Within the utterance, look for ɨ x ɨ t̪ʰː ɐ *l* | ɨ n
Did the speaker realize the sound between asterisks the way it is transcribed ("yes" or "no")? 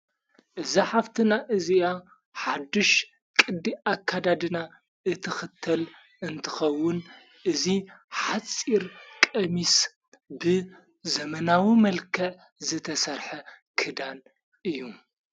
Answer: yes